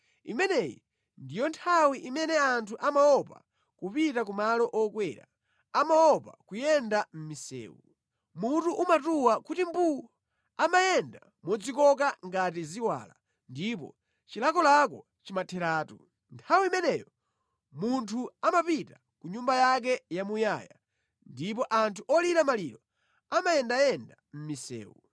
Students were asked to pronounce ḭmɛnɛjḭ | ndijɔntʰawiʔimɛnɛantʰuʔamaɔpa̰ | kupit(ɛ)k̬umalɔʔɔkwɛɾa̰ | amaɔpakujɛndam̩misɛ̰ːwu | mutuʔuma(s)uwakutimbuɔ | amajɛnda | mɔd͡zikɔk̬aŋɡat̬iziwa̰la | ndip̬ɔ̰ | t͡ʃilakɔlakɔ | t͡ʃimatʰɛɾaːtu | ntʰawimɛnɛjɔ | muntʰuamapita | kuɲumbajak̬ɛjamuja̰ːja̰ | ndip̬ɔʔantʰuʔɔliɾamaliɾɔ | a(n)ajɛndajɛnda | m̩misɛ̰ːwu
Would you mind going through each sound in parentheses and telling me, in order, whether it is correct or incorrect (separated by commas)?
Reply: incorrect, incorrect, incorrect